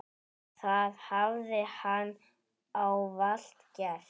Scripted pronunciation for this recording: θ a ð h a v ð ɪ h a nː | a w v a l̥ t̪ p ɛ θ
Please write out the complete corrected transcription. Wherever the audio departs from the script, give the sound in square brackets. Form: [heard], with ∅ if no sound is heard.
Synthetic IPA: θ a ð h a v ð ɪ h a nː | a w v a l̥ t̪ [c] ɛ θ